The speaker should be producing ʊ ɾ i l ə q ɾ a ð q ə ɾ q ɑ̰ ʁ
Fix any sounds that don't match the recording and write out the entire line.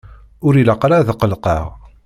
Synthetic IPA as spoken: ʊ ɾ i l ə q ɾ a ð q ə l q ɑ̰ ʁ